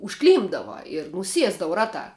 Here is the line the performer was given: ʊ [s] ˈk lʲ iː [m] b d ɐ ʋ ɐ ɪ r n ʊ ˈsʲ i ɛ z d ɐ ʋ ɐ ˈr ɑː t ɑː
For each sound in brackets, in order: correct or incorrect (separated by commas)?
incorrect, correct